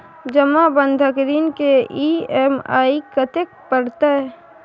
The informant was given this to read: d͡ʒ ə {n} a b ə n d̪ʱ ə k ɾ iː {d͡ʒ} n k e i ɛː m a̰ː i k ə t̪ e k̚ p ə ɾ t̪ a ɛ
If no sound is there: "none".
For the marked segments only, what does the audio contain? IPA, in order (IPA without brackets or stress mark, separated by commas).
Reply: m, none